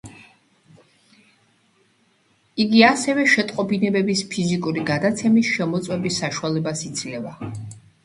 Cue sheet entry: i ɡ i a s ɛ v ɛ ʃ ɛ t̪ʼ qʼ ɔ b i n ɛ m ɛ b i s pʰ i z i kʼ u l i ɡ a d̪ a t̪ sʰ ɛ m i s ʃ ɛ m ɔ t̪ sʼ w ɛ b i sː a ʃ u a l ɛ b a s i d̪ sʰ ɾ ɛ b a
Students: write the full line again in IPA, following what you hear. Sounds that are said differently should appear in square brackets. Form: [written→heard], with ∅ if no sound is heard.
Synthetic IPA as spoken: i ɡ i a s ɛ v ɛ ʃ ɛ t̪ʼ qʼ ɔ b i n ɛ [m→b] ɛ b i s pʰ i z i kʼ u [l→ɾ] i ɡ a d̪ a t̪ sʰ ɛ m i s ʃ ɛ m ɔ t̪ sʼ w ɛ b i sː a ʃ u a l ɛ b a s i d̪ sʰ [ɾ→l] ɛ [b→v] a